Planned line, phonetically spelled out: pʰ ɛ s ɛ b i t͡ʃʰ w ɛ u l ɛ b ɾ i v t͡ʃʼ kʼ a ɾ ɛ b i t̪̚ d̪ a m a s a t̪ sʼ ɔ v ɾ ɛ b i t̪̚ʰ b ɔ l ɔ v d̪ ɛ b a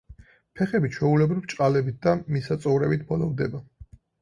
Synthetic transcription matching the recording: pʰ ɛ χ ɛ b i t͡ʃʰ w ɛ u l ɛ b ɾ i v t͡ʃʼ qʼ a l ɛ b i t̪̚ d̪ a m i s a t̪ sʼ ɔ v ɾ ɛ b i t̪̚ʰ b ɔ l ɔ v d̪ ɛ b a